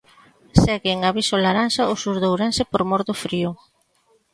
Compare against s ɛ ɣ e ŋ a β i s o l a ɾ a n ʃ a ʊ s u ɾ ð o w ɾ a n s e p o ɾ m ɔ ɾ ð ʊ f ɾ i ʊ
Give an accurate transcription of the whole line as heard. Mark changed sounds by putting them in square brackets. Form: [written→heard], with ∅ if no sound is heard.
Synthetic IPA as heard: s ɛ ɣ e ŋ a β i s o l a ɾ a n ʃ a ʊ s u ɾ ð o w ɾ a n s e p o ɾ m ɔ ɾ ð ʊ f ɾ i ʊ